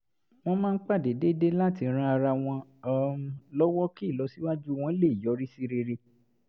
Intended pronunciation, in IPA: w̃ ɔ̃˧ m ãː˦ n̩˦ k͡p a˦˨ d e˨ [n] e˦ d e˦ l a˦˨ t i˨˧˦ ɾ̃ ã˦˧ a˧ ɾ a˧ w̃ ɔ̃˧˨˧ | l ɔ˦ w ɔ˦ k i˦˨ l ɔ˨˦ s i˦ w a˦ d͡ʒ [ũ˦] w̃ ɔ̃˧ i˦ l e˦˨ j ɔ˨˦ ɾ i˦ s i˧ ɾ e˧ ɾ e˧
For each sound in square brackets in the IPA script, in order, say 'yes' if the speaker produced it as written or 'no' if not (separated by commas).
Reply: no, no